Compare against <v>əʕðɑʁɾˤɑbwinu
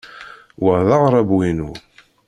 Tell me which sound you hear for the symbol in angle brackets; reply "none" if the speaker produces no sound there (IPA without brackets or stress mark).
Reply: w